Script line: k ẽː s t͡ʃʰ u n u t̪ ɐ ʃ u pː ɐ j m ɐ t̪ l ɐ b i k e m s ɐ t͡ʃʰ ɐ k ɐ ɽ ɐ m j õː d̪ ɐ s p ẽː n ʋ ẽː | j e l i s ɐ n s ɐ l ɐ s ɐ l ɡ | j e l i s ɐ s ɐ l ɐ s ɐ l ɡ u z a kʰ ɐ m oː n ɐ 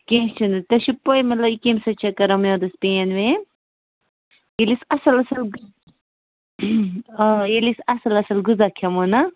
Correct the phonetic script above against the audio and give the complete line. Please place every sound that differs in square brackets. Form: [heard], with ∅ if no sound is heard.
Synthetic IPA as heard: k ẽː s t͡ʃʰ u n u t̪ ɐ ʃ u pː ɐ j m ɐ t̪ l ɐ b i k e m s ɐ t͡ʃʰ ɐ k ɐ [ɾ] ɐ m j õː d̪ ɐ s p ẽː n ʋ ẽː | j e l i s ɐ [∅] s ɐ l ɐ s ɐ l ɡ | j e l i s ɐ s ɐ l ɐ s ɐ l ɡ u z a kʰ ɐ m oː n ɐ